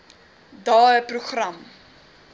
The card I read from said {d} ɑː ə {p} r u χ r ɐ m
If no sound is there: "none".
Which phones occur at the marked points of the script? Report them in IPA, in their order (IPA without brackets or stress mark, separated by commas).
d, p